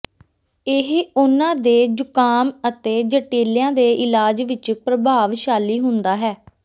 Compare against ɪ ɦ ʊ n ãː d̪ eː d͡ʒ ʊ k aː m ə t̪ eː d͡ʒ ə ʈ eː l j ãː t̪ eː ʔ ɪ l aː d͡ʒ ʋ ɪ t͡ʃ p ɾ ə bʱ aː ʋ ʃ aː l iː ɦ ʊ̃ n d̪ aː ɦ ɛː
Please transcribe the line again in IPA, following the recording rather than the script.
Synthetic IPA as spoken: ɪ ɦ ʊ n ãː d̪ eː d͡ʒ ʊ k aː m ə t̪ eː d͡ʒ ə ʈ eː l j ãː d̪ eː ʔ ɪ l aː d͡ʒ ʋ ɪ t͡ʃ p ɾ ə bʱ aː ʋ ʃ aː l iː ɦ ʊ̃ n d̪ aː ɦ ɛː